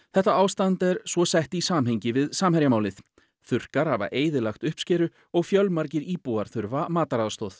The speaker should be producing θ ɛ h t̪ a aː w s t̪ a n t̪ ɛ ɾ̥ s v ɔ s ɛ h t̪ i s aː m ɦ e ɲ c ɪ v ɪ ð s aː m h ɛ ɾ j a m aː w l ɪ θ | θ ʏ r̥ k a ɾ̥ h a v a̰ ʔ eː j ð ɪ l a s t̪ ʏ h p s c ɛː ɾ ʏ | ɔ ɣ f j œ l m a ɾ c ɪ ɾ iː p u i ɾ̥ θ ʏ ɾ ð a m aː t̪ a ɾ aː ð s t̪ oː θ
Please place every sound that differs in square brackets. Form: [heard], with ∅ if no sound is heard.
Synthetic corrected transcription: θ ɛ h t̪ a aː w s t̪ a n t̪ ɛ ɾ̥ s v ɔ s ɛ h t̪ i s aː m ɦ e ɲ c ɪ v ɪ ð s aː m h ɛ ɾ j a m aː w l ɪ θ | θ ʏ r̥ k a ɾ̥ h a v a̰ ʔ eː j ð ɪ l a [x] t̪ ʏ h p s c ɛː ɾ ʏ | ɔ ɣ f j œ l m a ɾ c ɪ ɾ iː p u [a] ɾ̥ θ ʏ ɾ [v] a m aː t̪ a ɾ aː ð s t̪ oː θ

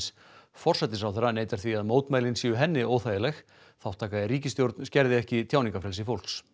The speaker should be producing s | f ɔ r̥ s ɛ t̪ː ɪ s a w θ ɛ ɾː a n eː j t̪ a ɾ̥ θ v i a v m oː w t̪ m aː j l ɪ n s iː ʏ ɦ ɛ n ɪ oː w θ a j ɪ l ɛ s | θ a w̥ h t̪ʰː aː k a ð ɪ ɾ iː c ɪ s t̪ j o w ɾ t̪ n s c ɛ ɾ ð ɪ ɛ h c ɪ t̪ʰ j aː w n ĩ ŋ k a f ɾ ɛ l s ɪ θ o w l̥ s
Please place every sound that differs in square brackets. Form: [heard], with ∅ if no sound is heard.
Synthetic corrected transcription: s | f ɔ r̥ s ɛ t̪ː ɪ s a w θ ɛ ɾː a n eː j t̪ a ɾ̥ θ v i a [ð] m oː w t̪ m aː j l ɪ n s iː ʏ ɦ ɛ [nː] ɪ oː w θ a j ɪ l ɛ [x] | θ a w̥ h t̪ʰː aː k a ð ɪ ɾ iː c ɪ s t̪ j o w ɾ t̪ n s c ɛ ɾ ð ɪ ɛ h c ɪ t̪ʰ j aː w n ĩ ŋ k a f ɾ ɛ l s ɪ [f] o w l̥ s

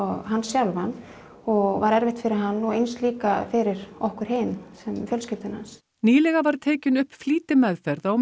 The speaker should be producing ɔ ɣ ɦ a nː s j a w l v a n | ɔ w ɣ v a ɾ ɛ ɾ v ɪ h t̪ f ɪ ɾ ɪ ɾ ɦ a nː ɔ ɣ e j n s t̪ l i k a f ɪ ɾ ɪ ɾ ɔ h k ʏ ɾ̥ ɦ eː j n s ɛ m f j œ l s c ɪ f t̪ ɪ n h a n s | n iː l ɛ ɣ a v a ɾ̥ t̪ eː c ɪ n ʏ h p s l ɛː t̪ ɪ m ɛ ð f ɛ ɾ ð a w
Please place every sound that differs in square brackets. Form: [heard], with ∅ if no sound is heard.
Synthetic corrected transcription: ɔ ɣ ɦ a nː s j a w l v a n | ɔ [∅] ɣ v a ɾ ɛ ɾ v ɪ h t̪ f ɪ ɾ ɪ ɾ ɦ a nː ɔ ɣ e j n s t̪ l [iː] k a f ɪ ɾ ɪ ɾ ɔ h k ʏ ɾ̥ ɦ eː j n s ɛ m f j œ l s c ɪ f t̪ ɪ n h a n s | n iː l ɛ ɣ a v a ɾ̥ [t̪ʰ] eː c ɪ n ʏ h p [f] l [iː] t̪ ɪ m ɛ ð f ɛ ɾ ð a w

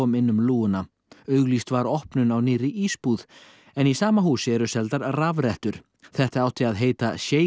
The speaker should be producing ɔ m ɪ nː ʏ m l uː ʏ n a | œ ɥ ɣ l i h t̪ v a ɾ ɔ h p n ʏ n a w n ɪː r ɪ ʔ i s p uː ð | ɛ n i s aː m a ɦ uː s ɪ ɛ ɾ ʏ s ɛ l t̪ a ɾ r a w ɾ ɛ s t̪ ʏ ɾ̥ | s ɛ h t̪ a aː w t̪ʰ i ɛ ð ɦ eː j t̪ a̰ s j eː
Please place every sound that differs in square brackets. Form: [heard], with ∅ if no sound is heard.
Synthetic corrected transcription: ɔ m ɪ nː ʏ m l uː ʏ n a | œ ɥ ɣ l i [s] t̪ v a ɾ ɔ h p n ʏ n a w n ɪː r ɪ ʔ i s p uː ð | ɛ n i s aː m a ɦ uː s ɪ ɛ ɾ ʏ s ɛ l t̪ a ɾ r a [v] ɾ ɛ [h] t̪ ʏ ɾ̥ | [θ] ɛ h t̪ a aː w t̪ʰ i [a] ð ɦ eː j t̪ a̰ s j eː

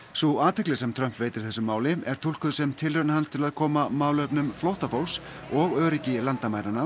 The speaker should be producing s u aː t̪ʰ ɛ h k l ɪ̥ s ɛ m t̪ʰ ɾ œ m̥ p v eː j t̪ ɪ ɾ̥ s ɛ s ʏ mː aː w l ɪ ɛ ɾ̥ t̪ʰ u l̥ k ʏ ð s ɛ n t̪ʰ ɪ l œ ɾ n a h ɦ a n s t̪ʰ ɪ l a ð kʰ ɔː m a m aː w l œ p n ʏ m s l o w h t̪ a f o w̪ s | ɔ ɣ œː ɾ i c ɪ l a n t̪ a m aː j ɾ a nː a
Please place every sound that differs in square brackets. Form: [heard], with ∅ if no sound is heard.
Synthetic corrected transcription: s u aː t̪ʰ ɛ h k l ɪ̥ s ɛ m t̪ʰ ɾ œ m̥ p v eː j t̪ ɪ ɾ̥ [θ] ɛ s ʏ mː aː w l ɪ ɛ ɾ̥ t̪ʰ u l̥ k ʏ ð s ɛ [m] t̪ʰ ɪ l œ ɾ n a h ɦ a n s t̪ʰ ɪ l a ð kʰ ɔː m a m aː w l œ p n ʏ m [f] l o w h t̪ a f o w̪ s | ɔ ɣ œː ɾ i c ɪ l a n t̪ a m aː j ɾ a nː a

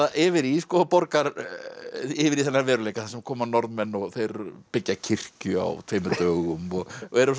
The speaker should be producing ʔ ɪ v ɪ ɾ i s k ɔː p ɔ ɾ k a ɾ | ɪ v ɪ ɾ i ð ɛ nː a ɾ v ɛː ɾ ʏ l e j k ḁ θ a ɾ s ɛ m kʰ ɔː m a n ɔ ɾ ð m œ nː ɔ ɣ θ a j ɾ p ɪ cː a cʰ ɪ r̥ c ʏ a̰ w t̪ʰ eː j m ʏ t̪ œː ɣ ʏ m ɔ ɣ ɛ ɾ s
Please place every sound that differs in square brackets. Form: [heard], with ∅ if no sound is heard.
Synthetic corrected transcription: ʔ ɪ v ɪ ɾ i s k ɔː p ɔ ɾ k a ɾ | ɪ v ɪ ɾ i [θ] ɛ nː a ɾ v ɛː ɾ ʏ l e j k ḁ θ a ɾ s ɛ m kʰ ɔː m a n ɔ ɾ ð m [ɛ] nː ɔ ɣ θ [e] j ɾ p ɪ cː a cʰ ɪ r̥ c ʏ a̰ w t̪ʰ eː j m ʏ t̪ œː ɣ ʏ m ɔ ɣ ɛ ɾ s

